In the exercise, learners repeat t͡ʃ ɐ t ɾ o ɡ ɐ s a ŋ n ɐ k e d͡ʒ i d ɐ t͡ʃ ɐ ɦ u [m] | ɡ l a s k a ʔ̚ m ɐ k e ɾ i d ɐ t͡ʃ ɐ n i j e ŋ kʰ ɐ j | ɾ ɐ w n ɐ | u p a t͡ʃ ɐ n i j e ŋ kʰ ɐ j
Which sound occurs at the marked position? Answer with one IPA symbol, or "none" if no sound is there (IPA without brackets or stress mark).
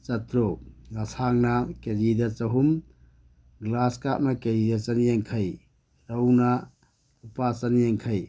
m